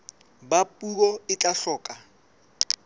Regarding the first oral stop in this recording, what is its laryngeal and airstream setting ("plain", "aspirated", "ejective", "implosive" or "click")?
plain